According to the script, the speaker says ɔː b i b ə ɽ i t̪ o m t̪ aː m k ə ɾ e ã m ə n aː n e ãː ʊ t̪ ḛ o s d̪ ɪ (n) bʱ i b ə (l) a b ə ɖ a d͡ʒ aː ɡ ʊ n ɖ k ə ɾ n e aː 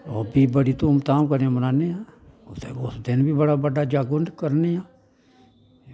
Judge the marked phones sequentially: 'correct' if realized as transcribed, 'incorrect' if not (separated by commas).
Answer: correct, incorrect